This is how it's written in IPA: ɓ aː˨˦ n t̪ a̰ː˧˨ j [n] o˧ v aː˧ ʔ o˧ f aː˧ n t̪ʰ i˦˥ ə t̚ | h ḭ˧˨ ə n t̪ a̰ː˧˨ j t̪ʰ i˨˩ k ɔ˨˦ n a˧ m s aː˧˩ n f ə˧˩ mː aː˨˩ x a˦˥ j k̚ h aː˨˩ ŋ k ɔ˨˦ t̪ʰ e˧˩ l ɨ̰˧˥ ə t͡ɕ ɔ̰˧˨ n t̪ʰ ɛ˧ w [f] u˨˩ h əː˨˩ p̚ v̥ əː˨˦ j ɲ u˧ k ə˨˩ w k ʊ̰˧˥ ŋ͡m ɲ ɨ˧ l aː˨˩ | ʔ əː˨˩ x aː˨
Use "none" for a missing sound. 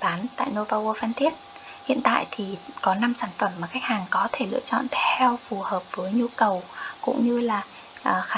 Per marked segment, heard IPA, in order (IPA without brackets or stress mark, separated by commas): n, f